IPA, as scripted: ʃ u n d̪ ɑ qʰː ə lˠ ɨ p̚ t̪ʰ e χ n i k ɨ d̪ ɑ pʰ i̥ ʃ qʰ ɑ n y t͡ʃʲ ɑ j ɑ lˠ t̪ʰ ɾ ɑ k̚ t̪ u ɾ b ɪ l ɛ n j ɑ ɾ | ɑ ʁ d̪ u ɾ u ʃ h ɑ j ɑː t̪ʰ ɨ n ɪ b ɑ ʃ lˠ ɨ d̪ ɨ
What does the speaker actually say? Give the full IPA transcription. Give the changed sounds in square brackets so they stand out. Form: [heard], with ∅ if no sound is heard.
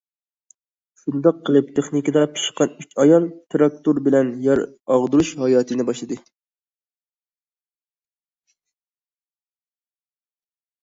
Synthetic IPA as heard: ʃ u n d̪ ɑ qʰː ə lˠ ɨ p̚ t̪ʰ e χ n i k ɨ d̪ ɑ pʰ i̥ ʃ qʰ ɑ n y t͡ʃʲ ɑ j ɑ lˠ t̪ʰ ɾ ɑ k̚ t̪ u ɾ b ɪ l ɛ n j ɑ ɾ | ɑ ʁ d̪ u ɾ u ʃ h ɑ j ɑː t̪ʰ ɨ n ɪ b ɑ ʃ lˠ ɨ d̪ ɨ